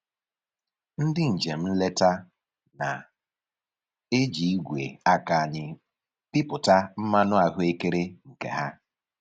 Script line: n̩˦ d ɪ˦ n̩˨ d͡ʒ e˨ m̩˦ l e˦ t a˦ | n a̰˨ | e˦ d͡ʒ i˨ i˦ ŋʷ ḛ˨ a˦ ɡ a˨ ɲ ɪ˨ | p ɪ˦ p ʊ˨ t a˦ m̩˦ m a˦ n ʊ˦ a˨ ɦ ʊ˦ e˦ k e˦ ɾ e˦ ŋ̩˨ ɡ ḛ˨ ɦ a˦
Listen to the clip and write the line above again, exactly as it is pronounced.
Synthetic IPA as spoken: n̩˦ d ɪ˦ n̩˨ d͡ʒ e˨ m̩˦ l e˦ t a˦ | n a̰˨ | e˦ d͡ʒ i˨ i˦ ɡʷ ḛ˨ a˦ k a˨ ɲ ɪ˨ | p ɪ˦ p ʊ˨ t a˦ m̩˦ m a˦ n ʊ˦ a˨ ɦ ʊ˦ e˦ k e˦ ɾ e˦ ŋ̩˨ k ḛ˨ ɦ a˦